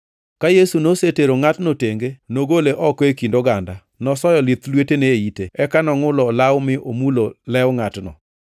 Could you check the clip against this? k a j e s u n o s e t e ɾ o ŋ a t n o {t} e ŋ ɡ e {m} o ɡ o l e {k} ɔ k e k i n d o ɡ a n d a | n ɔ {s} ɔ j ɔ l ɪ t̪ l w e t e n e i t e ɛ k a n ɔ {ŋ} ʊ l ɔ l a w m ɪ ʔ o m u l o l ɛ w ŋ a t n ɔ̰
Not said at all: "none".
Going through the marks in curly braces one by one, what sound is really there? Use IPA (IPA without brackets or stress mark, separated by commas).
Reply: t, n, ʔ, s, ŋ